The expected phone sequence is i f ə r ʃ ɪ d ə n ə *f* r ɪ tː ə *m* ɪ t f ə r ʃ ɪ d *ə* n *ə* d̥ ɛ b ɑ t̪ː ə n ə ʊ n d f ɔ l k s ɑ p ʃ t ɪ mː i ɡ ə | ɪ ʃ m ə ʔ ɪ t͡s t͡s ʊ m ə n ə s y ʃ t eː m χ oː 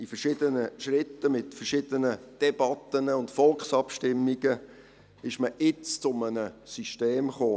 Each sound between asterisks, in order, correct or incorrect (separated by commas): incorrect, correct, correct, correct